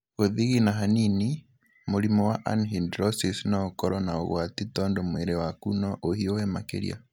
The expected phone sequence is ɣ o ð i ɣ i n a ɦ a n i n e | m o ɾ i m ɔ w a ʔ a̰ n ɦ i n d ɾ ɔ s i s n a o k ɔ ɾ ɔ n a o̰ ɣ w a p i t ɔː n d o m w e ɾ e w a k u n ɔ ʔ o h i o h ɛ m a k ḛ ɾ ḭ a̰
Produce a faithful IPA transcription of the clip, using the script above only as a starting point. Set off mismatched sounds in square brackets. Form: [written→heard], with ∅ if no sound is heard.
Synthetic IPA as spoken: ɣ o ð i ɣ i n a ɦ a n i n [e→i] | m o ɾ i m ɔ w a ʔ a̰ n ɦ i n d ɾ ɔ s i s n a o k ɔ ɾ ɔ n a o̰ ɣ w a [p→t] i t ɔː n d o m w e ɾ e w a k u n ɔ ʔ o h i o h ɛ m a k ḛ ɾ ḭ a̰